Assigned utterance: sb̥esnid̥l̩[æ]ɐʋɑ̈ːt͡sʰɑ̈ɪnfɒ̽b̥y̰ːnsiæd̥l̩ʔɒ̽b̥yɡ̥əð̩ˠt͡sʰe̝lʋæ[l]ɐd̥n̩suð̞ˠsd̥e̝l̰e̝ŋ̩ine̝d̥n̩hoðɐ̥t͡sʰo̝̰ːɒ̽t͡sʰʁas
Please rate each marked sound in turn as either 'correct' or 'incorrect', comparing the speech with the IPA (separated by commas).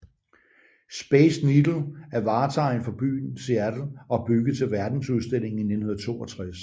correct, incorrect